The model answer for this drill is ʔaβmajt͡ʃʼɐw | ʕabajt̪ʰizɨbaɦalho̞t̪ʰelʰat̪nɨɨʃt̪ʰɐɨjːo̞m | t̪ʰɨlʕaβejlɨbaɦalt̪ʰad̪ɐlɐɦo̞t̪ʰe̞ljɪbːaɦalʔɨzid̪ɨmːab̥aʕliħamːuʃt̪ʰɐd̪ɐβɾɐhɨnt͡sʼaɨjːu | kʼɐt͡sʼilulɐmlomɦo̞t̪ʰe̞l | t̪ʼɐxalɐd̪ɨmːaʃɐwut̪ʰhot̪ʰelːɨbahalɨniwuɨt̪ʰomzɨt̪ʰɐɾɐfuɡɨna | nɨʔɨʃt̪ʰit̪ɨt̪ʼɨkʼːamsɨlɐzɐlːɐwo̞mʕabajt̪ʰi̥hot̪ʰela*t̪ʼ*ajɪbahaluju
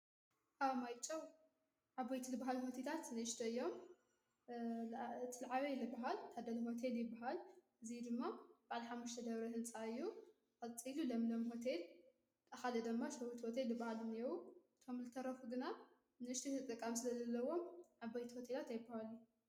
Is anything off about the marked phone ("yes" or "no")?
yes